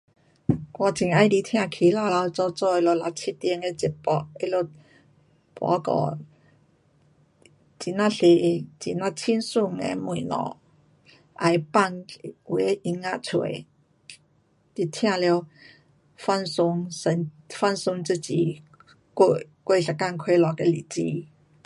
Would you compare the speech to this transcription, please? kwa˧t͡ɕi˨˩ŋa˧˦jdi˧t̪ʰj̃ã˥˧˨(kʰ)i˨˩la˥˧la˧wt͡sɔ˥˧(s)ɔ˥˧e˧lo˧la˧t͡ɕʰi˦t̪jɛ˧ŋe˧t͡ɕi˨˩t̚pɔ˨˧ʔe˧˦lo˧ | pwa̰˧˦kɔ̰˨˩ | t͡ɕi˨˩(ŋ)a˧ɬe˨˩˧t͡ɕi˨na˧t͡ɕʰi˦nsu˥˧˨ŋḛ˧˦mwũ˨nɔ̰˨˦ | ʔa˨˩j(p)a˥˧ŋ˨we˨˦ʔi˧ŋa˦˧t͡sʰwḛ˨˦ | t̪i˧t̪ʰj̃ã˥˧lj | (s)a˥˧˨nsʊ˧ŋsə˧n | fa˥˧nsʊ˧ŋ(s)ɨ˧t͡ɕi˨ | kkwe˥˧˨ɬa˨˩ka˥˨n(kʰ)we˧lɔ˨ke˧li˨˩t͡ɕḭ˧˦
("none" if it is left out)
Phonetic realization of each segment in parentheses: kʰ, t͡s, n, p, f, t͡s, kʰ

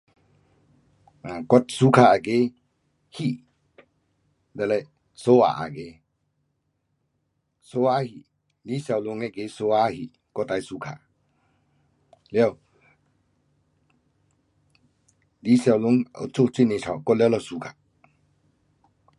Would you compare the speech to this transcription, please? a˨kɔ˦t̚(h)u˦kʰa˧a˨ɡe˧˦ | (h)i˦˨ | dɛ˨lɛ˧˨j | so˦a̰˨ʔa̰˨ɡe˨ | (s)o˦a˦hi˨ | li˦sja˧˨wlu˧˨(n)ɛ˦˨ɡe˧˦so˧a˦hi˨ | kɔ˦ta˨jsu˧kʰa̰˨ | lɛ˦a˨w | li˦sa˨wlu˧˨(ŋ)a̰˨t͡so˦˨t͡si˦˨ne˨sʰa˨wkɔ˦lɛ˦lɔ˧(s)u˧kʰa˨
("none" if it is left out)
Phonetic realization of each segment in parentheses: s, h, s, ŋ, ŋ, s

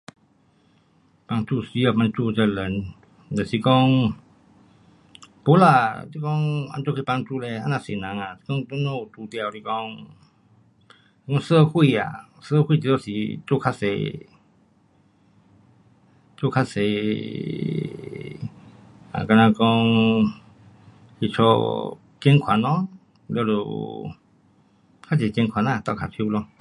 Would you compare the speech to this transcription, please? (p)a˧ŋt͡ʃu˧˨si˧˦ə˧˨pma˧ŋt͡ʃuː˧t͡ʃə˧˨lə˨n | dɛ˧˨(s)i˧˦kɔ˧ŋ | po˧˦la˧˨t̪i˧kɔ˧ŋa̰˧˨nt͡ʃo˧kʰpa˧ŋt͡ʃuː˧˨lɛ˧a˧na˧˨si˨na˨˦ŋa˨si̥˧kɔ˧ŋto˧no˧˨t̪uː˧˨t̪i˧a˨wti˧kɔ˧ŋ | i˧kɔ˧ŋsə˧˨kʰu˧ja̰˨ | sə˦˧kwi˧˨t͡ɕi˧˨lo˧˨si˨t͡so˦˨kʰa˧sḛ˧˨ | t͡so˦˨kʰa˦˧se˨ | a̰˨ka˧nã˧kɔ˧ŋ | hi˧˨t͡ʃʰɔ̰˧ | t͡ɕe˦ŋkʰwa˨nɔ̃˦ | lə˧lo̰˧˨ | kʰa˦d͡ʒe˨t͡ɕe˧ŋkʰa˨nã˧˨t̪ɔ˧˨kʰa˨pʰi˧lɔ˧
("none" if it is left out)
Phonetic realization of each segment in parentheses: p, s

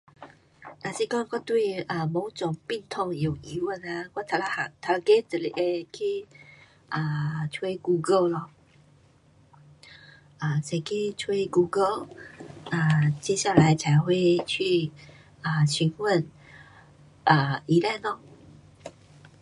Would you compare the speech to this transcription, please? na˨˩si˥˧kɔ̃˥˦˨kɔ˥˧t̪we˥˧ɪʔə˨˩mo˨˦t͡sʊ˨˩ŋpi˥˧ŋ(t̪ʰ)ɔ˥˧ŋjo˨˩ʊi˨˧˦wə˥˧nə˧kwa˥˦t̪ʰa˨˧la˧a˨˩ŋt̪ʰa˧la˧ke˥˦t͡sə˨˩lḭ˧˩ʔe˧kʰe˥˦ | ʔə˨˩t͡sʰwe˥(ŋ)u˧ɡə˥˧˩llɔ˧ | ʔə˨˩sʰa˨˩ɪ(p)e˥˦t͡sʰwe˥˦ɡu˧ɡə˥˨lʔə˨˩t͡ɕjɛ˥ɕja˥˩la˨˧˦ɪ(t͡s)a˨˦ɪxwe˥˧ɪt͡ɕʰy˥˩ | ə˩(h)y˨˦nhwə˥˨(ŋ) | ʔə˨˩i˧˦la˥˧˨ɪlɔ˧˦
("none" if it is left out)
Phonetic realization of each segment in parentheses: t̪ʰ, ɡ, k, t͡sʰ, ɕ, n

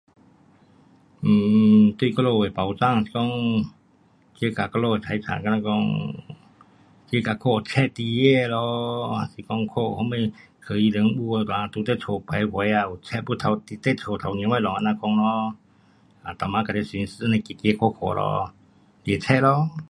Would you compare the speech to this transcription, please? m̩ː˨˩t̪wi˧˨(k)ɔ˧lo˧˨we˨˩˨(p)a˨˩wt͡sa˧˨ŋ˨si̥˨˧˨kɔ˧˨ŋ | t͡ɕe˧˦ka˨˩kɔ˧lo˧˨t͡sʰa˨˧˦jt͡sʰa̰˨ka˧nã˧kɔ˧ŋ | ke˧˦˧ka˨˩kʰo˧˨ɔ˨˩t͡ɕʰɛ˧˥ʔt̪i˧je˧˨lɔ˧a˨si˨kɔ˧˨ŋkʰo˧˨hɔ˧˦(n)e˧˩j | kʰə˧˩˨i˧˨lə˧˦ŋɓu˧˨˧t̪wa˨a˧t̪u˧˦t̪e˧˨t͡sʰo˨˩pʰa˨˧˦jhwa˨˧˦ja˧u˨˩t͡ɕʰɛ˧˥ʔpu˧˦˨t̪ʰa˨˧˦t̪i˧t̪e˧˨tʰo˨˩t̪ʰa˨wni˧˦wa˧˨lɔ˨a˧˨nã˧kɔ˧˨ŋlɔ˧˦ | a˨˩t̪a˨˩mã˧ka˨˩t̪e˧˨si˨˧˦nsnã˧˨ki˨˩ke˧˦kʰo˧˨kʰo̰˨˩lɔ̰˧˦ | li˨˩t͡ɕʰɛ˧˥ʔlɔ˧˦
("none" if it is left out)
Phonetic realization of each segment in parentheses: k, p, m

